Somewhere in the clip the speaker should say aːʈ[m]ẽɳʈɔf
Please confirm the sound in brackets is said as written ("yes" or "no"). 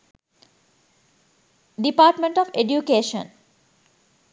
yes